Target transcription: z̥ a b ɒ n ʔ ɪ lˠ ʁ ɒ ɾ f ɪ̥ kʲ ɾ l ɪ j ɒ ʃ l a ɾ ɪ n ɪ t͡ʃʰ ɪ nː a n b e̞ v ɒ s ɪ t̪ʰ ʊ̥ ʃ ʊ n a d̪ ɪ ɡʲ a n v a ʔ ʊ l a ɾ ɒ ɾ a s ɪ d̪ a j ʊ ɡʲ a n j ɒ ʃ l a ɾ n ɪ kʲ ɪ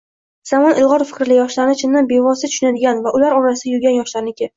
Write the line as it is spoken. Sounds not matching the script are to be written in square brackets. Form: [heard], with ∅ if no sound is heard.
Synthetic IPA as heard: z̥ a [m] ɒ n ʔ ɪ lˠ ʁ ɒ ɾ f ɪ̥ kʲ ɾ l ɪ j ɒ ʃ l a ɾ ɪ n ɪ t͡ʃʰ ɪ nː a n b e̞ v ɒ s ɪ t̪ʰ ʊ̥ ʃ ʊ n a d̪ ɪ ɡʲ a n v a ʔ ʊ l a ɾ ɒ ɾ a s ɪ d̪ a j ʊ ɡʲ a n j ɒ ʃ l a ɾ n ɪ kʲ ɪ